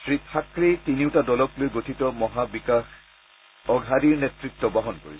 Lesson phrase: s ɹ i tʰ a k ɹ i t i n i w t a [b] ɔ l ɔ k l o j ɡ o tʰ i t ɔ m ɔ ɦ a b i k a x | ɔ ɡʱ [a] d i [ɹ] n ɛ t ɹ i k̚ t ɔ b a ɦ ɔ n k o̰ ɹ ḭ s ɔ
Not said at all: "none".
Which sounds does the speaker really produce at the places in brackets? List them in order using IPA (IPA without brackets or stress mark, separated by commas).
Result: d, a, ɹ